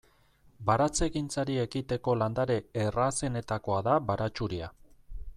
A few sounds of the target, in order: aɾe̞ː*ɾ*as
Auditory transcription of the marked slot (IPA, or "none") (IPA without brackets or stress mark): r